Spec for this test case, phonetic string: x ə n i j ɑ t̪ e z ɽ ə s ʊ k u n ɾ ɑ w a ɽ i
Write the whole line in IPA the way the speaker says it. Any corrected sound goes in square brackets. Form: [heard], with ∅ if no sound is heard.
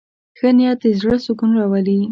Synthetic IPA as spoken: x ə n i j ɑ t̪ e z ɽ ə s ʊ k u n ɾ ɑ w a [l] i

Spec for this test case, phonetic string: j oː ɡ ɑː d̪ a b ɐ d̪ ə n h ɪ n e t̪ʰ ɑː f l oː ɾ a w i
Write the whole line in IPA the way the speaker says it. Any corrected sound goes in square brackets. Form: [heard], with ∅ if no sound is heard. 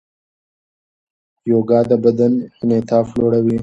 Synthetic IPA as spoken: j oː ɡ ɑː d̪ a b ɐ d̪ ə n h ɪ n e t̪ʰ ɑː f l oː [ɽ] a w i

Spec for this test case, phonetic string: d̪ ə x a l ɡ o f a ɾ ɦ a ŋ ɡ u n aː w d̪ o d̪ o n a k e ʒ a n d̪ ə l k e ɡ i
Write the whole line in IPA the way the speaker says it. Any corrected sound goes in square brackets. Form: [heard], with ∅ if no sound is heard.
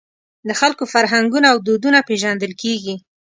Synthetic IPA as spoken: d̪ ə x a l [k] o f a ɾ ɦ a ŋ ɡ u n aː w d̪ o d̪ [u] n a [p] e ʒ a n d̪ ə l k e ɡ i

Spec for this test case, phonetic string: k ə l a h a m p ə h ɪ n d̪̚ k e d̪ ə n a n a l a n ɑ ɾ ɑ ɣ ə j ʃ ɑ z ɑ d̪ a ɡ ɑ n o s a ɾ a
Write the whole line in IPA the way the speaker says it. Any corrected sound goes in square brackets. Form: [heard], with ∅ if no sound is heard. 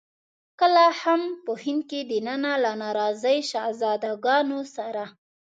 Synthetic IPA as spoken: k ə l a h a m p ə h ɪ n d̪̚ k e d̪ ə n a n a l a n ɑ ɾ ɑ [z] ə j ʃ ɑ z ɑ d̪ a ɡ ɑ n o s a ɾ a

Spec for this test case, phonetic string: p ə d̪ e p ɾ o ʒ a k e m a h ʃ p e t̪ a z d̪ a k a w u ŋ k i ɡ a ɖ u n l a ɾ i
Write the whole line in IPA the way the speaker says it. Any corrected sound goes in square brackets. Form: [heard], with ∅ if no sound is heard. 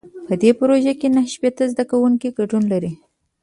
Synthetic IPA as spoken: p ə d̪ e p ɾ o ʒ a k e [n] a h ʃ p e t̪ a z d̪ a k a w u ŋ k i ɡ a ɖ u n l a ɾ i

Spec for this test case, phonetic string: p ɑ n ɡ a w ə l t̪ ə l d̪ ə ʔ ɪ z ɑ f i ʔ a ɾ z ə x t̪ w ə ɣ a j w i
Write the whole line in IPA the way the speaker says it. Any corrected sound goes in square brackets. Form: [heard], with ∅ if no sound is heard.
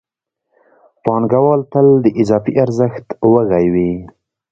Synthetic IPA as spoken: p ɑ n ɡ a w [ɑ] l t̪ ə l d̪ ə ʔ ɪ z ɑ f i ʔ a ɾ z ə x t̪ w ə ɣ a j w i

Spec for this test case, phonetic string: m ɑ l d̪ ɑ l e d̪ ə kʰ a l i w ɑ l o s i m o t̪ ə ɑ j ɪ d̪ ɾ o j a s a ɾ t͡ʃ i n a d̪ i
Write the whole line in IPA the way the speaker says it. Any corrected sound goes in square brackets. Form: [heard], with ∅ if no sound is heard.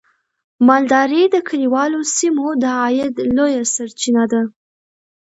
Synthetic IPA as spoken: m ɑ l d̪ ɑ [ɾ] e d̪ ə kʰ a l i w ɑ l o s i m o [d̪] ə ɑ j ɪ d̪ [l] o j a s a ɾ t͡ʃ i n a d̪ [a]

